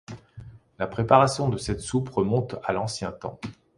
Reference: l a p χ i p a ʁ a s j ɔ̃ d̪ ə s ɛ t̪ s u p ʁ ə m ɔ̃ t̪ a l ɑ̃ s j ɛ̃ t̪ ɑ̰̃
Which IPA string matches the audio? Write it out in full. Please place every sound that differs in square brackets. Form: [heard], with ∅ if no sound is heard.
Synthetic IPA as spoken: l a p χ [e] p a ʁ a s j ɔ̃ d̪ ə s ɛ t̪ s u p ʁ ə m ɔ̃ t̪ a l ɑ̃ s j ɛ̃ t̪ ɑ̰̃